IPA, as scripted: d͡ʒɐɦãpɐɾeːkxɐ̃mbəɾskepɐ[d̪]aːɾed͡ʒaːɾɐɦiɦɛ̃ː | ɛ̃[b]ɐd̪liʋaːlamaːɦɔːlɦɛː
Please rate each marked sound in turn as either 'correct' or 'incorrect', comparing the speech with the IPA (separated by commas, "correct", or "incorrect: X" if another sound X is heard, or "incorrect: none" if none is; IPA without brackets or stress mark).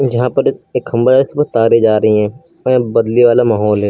incorrect: t̪, correct